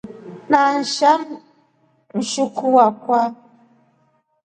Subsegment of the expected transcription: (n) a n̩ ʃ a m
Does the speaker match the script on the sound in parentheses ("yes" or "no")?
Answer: yes